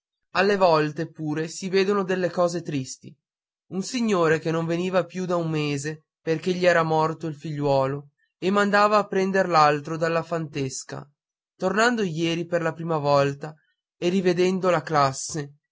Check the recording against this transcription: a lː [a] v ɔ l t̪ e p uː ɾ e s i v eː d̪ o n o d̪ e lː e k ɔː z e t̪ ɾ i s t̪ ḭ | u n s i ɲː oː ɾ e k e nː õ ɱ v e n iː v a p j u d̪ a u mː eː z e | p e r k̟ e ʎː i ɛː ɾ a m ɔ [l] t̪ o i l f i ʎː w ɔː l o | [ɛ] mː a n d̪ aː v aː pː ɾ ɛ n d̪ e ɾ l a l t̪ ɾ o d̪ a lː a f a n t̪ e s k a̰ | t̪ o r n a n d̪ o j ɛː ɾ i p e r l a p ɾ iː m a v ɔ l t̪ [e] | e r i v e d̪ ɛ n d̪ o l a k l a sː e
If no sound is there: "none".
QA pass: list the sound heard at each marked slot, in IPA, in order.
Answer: e, r, e, a

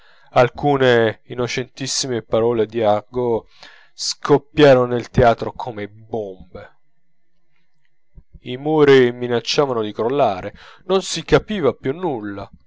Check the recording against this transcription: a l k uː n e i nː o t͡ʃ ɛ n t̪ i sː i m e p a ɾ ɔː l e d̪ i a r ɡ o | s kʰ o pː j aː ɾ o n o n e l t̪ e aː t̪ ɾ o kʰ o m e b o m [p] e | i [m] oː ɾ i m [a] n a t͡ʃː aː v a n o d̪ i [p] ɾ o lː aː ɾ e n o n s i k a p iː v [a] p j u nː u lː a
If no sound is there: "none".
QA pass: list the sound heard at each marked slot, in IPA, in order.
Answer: b, m, i, k, a

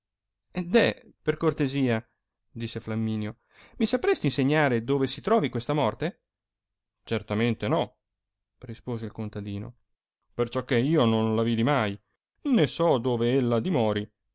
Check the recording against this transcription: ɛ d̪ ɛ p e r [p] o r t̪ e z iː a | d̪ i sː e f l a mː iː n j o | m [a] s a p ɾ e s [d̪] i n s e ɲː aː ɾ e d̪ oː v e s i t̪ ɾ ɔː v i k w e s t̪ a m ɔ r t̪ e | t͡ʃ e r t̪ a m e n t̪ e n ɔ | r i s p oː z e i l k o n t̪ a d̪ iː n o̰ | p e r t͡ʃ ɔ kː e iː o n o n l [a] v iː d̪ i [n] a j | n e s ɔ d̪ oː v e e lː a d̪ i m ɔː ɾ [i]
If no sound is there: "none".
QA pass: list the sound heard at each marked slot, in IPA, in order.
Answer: k, i, t̪, a, m, i

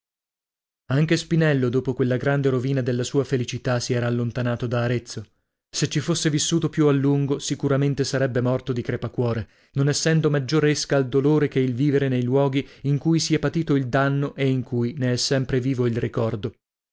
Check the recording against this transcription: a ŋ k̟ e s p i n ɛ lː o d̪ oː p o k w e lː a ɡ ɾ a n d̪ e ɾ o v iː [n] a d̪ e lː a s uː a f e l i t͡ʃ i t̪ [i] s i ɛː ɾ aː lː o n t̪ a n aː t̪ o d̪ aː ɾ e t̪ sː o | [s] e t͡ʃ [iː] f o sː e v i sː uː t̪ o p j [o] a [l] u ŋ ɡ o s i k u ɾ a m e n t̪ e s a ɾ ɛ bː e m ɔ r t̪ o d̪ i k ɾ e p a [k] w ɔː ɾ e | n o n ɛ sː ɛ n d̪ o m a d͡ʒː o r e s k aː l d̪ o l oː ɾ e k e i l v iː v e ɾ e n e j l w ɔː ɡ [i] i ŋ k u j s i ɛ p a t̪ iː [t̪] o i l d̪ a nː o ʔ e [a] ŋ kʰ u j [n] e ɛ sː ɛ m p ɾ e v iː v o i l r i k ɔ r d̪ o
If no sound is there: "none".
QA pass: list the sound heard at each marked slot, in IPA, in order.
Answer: n, a, s, i, u, lː, k, i, t̪, i, n

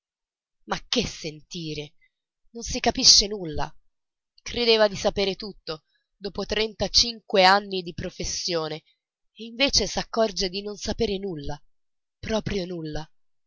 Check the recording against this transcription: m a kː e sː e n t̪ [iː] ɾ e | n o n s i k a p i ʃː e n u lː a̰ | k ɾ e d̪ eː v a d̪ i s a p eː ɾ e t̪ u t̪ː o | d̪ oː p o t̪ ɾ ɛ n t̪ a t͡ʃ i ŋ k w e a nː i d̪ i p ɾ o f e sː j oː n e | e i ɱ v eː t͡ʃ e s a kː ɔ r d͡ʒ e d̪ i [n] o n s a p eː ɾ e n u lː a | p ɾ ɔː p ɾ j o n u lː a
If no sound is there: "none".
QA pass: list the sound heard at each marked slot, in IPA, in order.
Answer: iː, n

